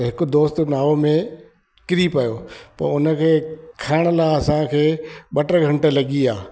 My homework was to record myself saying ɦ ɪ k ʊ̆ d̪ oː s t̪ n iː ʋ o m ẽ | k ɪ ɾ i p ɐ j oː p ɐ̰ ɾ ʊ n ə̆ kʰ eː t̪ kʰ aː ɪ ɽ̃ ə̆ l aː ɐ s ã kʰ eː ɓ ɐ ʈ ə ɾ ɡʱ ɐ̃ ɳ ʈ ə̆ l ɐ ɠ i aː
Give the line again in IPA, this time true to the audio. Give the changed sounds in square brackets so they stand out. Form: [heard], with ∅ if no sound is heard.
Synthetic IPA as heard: ɦ ɪ k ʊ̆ d̪ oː s t̪ n [aː] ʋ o m ẽ | k ɪ ɾ i p ɐ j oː p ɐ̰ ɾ ʊ n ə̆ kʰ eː [∅] kʰ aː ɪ ɽ̃ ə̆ l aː ɐ s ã kʰ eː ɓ ɐ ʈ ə ɾ ɡʱ ɐ̃ ɳ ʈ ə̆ l ɐ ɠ i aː